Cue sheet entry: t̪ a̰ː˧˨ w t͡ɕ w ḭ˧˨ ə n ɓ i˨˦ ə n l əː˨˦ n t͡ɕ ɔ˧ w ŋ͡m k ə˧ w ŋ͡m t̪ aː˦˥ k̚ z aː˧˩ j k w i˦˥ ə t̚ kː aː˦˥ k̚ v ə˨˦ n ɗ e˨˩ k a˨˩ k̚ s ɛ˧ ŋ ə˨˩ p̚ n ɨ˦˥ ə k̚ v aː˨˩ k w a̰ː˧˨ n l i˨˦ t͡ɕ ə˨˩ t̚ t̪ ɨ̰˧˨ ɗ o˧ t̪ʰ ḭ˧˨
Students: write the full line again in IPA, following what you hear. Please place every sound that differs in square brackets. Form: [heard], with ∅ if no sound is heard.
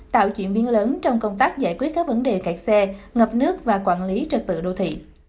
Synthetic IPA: t̪ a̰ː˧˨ w t͡ɕ w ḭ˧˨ ə n ɓ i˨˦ ə n l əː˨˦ n t͡ɕ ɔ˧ w ŋ͡m k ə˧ w ŋ͡m t̪ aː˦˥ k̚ z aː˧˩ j k w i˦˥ ə t̚ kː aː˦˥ k̚ v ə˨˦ n ɗ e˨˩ k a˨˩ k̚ s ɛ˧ ŋ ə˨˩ p̚ n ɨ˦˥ ə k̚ v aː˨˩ k w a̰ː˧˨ n l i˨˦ t͡ɕ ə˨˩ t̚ t̪ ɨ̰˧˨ ɗ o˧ t̪ʰ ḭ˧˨

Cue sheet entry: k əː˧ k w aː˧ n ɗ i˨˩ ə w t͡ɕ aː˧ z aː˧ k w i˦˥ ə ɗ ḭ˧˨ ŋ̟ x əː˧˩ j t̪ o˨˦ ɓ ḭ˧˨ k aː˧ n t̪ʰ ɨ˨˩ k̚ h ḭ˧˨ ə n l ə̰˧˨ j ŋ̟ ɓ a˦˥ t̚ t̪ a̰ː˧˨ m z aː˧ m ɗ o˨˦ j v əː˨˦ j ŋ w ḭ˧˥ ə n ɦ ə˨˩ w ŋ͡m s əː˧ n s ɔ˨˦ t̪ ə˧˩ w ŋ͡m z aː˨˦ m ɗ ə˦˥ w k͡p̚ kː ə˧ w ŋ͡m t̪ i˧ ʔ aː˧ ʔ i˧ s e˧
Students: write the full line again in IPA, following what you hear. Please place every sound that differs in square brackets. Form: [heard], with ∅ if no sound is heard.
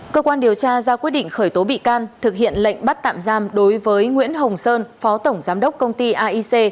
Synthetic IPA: k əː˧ k w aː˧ n ɗ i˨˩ ə w t͡ɕ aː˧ z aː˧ k w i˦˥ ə ɗ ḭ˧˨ ŋ̟ x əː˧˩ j t̪ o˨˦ ɓ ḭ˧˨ k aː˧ n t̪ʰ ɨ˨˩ k̚ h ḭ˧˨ ə n l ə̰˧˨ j ŋ̟ ɓ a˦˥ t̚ t̪ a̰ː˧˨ m z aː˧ m ɗ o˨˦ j v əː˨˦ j ŋ w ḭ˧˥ ə n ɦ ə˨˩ w ŋ͡m s əː˧ n [f] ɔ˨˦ t̪ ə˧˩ w ŋ͡m z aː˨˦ m ɗ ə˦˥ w k͡p̚ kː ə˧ w ŋ͡m t̪ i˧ ʔ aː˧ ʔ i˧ s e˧

